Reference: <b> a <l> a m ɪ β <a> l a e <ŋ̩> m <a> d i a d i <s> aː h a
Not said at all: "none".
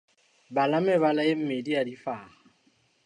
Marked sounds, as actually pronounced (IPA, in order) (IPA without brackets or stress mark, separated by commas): b, l, a, m̩, e, f